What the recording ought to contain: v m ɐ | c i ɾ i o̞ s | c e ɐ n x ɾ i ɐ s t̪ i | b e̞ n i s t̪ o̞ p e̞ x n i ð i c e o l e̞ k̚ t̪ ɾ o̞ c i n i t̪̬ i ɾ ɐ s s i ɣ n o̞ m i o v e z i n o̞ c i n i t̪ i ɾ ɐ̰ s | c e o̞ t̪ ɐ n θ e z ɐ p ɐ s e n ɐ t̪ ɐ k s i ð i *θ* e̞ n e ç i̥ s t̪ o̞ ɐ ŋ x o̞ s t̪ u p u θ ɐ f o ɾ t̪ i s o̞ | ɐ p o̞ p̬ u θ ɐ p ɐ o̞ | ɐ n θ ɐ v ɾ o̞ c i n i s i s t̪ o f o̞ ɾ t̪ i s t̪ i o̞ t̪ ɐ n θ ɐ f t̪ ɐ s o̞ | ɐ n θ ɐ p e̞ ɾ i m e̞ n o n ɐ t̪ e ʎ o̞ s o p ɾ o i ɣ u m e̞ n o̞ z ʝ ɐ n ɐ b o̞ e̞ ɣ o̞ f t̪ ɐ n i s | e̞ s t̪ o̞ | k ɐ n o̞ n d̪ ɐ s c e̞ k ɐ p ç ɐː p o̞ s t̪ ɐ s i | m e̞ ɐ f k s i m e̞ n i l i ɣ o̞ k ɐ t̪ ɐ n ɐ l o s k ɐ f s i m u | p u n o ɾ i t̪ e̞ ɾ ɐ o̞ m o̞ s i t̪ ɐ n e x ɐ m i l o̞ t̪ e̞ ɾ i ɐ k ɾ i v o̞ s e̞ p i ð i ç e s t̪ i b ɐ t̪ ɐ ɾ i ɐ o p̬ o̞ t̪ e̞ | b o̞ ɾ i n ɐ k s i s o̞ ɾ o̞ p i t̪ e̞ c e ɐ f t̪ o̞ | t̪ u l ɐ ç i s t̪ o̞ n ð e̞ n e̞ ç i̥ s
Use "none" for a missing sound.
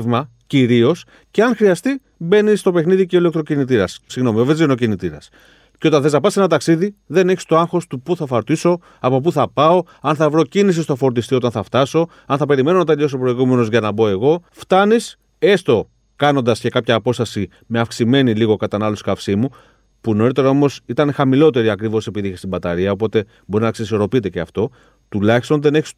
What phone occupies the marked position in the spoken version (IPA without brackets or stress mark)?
ð